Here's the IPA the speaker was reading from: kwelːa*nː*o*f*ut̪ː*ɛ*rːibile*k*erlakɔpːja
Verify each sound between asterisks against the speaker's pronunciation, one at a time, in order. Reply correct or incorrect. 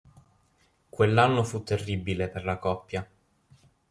correct, correct, incorrect: e, incorrect: p

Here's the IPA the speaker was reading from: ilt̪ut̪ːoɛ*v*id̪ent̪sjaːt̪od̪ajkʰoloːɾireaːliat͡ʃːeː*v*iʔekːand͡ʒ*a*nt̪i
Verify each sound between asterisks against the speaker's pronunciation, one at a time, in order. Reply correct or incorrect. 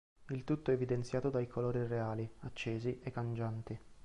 correct, incorrect: z, correct

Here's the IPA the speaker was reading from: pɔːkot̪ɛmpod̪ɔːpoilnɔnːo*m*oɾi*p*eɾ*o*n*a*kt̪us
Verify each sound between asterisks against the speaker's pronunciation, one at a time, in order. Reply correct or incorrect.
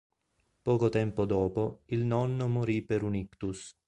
correct, correct, incorrect: u, incorrect: i

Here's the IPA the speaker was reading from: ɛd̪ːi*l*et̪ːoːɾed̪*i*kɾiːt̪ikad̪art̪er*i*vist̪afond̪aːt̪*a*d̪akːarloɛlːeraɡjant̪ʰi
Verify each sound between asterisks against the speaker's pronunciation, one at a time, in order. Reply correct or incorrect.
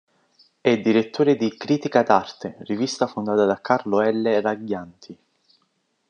incorrect: ɾ, correct, correct, correct

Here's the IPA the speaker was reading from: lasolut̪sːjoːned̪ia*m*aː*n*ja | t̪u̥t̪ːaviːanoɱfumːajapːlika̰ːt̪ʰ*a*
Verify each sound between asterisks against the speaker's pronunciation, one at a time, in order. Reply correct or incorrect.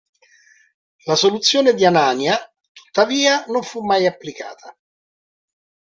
incorrect: n, correct, correct

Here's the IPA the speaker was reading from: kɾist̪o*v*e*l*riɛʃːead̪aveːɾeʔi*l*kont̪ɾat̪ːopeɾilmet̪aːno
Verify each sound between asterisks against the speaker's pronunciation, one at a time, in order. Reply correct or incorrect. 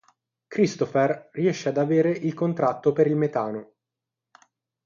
incorrect: f, incorrect: r, correct

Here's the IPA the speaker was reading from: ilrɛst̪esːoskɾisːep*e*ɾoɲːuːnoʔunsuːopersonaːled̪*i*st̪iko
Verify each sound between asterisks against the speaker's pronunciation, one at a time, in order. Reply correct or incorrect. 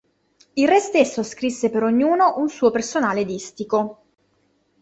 correct, correct

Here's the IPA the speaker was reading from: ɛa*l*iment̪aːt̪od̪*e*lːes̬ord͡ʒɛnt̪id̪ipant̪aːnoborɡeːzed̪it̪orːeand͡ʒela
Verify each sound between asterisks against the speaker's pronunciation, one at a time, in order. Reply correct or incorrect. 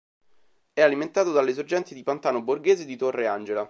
correct, incorrect: a

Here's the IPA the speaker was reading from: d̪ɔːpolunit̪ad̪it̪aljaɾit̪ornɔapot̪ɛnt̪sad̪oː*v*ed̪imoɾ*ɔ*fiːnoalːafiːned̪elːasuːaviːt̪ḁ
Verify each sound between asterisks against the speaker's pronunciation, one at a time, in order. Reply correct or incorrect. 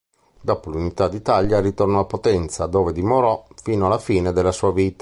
correct, correct

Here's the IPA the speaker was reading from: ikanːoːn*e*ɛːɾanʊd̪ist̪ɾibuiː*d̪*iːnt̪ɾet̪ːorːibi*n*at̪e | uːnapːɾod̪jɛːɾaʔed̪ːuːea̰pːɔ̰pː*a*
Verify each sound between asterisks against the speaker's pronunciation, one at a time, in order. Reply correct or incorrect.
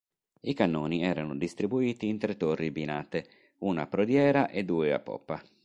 incorrect: i, incorrect: t̪, correct, correct

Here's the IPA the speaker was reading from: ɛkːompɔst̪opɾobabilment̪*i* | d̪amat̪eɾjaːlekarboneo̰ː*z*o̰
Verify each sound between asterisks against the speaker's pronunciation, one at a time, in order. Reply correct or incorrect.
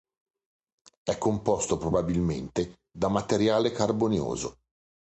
incorrect: e, correct

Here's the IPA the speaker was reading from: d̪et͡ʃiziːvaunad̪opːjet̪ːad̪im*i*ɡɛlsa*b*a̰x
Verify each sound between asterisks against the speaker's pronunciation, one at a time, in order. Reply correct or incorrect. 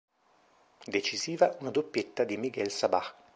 correct, correct

